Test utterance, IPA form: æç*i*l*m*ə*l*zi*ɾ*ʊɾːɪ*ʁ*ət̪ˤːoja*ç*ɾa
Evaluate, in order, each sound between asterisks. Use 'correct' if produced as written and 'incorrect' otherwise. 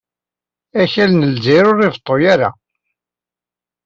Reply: incorrect: æ, incorrect: n, correct, correct, incorrect: v, incorrect: none

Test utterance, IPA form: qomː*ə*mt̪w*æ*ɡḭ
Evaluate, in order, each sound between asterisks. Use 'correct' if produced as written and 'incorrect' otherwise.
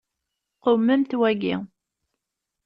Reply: correct, correct

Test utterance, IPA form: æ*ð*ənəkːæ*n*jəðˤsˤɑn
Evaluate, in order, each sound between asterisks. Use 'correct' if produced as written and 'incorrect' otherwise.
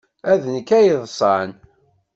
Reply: correct, incorrect: none

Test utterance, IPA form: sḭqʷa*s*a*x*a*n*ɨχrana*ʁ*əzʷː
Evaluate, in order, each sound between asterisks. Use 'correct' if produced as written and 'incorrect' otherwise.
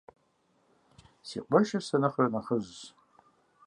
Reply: incorrect: ʃ, incorrect: s, correct, incorrect: χ

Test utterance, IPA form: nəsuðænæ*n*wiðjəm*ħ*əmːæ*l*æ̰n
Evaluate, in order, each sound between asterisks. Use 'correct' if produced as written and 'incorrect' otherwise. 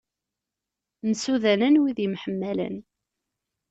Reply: correct, correct, correct

